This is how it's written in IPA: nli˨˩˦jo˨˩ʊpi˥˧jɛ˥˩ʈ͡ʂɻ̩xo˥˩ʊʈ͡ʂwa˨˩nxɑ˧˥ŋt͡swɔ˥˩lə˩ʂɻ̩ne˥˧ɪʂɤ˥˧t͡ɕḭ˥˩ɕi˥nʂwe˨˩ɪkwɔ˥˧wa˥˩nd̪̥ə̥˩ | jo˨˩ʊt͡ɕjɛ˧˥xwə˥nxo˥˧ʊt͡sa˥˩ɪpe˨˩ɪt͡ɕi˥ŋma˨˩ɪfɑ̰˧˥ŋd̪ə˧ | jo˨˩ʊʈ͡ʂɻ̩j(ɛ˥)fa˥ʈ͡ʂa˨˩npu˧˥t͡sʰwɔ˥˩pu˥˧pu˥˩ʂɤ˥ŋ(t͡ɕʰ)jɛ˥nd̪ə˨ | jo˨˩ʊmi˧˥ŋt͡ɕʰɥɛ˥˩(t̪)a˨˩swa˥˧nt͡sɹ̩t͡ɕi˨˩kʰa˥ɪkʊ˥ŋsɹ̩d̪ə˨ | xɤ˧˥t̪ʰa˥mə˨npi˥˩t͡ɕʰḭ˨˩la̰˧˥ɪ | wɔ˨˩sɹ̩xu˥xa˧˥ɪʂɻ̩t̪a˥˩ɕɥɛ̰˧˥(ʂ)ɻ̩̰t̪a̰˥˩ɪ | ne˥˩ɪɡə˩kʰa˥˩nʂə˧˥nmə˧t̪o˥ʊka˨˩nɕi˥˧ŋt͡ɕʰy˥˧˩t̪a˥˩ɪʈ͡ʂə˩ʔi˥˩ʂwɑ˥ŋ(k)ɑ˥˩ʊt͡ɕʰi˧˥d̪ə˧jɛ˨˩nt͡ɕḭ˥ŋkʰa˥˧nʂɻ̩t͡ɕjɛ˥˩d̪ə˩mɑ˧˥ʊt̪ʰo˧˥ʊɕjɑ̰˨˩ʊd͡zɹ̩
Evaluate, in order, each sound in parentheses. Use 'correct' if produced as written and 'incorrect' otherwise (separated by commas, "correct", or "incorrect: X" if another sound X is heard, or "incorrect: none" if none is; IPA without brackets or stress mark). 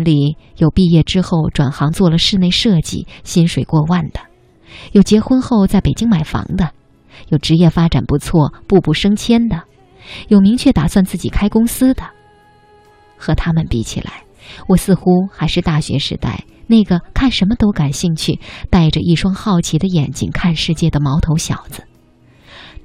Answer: incorrect: ɛ˥˩, correct, correct, correct, incorrect: x